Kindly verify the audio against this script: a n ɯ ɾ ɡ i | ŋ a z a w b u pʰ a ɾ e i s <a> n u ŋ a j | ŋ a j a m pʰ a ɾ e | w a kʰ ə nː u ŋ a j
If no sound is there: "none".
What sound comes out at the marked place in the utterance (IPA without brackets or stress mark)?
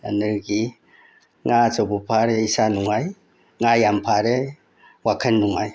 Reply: a